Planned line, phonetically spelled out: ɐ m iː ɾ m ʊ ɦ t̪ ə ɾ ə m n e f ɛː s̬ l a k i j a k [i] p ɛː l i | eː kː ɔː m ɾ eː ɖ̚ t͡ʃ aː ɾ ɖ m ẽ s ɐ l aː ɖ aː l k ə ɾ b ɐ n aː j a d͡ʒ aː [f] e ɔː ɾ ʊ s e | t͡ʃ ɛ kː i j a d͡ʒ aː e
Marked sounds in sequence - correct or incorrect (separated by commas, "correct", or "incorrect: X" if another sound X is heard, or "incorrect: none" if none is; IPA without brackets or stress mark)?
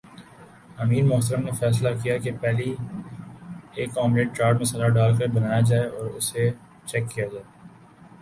incorrect: e, incorrect: none